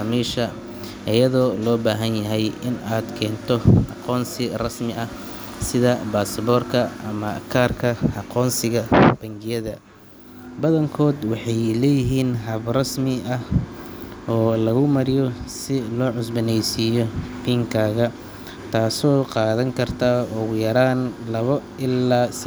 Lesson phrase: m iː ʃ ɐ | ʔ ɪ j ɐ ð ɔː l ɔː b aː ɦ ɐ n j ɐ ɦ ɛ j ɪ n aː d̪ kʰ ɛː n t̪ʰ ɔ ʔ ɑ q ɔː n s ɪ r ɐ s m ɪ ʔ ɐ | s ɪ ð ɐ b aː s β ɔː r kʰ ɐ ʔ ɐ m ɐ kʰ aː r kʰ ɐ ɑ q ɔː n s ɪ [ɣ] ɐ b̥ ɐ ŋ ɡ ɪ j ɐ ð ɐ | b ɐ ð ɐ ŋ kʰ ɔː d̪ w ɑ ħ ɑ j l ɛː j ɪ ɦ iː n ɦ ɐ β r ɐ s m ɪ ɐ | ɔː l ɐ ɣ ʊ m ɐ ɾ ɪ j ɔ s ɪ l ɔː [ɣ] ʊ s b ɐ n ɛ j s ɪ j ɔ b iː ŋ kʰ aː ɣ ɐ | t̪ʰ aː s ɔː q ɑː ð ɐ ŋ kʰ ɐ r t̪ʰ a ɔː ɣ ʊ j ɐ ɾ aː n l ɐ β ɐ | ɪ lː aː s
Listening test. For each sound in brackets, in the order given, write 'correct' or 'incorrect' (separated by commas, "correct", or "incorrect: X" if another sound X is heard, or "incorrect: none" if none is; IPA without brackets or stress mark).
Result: correct, incorrect: ʕ